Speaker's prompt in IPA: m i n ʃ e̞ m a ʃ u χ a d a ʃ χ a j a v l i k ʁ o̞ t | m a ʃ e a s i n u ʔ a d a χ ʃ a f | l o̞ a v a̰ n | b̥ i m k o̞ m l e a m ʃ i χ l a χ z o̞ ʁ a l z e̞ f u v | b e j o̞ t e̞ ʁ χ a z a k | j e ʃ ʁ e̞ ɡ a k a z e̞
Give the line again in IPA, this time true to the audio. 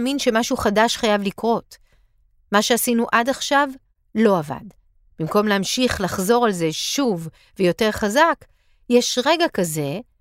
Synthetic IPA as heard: m i n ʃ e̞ m a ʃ u χ a d a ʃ χ a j a v l i k ʁ o̞ t | m a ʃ e a s i n u ʔ a d a χ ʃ a v | l o̞ a v a̰ d | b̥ i m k o̞ m l e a m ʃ i χ l a χ z o̞ ʁ a l z e̞ ʃ u v | v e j o̞ t e̞ ʁ χ a z a k | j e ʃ ʁ e̞ ɡ a k a z e̞